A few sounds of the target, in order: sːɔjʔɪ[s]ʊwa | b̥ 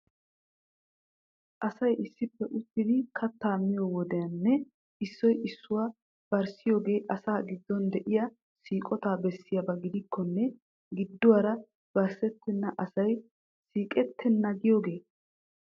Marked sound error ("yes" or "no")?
yes